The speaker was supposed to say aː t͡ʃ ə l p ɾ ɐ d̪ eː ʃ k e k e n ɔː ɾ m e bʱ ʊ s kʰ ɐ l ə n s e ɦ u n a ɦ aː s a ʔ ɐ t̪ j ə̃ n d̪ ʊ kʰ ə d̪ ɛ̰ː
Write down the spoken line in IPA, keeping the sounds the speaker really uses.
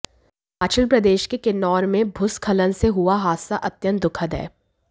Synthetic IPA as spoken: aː t͡ʃ ə l p ɾ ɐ d̪ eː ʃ k e k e n ɔː ɾ m ẽ bʱ ʊ s kʰ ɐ l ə n s e ɦ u a ɦ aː s a ʔ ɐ t̪ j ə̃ n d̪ ʊ kʰ ə d̪ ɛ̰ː